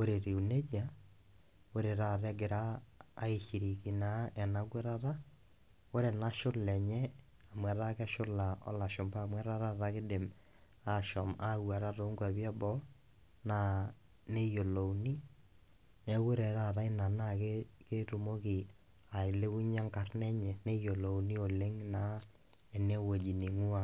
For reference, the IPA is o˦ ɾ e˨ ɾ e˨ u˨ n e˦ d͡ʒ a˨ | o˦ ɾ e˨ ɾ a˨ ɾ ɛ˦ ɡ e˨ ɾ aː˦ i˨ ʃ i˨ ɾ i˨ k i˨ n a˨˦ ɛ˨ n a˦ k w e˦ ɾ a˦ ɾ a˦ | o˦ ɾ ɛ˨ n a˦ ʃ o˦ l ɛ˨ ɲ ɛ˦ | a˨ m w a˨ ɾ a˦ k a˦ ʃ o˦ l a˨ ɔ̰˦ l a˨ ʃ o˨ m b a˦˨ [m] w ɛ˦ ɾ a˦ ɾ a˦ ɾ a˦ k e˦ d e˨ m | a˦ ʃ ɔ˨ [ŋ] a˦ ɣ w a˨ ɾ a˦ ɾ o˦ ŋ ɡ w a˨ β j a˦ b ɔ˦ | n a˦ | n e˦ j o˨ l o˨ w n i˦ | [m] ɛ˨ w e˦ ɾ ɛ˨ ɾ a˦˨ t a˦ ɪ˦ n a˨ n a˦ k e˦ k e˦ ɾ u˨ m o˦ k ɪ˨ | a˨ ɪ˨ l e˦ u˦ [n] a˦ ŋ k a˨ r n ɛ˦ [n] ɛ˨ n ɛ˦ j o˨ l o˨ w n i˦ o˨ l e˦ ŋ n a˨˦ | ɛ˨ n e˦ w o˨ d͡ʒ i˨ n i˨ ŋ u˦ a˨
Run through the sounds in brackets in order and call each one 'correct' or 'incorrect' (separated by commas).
correct, incorrect, incorrect, incorrect, incorrect